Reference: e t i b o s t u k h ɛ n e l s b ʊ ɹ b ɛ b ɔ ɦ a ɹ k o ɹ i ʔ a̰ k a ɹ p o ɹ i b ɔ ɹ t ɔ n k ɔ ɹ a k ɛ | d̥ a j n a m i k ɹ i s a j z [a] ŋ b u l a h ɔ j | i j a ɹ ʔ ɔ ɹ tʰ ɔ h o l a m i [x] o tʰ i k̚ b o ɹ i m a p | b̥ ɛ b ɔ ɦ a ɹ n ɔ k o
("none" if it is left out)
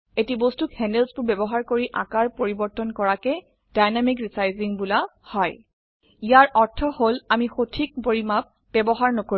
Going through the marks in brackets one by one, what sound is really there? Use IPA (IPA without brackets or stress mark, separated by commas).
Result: i, x